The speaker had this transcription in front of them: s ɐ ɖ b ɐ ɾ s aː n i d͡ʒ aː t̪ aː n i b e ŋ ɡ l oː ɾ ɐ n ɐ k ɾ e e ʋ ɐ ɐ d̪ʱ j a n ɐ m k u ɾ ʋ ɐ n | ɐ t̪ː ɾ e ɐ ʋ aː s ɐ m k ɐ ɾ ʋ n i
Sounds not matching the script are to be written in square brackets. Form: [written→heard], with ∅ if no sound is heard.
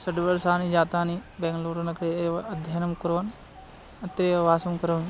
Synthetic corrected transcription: s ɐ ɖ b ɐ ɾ s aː n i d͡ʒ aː t̪ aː n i b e ŋ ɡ l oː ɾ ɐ n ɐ k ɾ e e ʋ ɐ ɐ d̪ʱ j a n ɐ m k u ɾ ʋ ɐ n | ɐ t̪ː ɾ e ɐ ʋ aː s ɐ m k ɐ ɾ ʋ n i